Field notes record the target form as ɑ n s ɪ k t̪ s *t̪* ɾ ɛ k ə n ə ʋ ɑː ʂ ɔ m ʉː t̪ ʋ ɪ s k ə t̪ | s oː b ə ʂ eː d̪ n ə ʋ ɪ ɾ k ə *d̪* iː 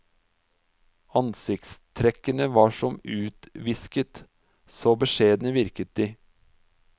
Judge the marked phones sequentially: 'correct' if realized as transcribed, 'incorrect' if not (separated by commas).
incorrect, incorrect